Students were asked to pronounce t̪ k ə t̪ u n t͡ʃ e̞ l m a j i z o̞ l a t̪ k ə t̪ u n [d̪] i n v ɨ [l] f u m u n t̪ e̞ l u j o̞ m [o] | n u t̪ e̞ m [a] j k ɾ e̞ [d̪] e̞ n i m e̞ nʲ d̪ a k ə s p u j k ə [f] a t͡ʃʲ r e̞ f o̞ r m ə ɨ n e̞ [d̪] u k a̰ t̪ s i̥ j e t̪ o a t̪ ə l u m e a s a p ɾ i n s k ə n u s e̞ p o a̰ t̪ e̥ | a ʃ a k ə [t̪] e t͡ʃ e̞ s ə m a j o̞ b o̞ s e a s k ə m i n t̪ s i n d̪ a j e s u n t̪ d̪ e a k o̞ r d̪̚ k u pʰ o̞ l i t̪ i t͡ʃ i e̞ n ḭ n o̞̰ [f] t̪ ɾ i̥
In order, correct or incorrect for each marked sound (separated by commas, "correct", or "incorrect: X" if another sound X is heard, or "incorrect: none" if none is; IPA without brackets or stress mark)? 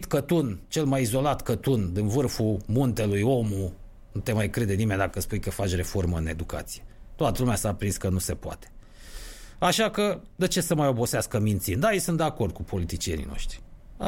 correct, incorrect: r, incorrect: u, correct, correct, correct, correct, incorrect: d̪, incorrect: ʃ